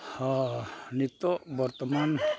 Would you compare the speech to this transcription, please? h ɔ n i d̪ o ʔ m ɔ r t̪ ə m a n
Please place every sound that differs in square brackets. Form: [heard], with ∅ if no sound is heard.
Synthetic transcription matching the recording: h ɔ n i [t̪] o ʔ [b] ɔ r t̪ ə m a n